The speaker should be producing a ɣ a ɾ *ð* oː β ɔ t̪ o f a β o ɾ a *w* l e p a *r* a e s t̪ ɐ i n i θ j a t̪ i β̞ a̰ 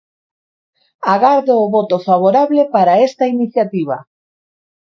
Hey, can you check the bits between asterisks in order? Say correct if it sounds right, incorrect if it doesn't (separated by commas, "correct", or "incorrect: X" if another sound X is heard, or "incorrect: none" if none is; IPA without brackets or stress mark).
correct, incorrect: β, incorrect: ɾ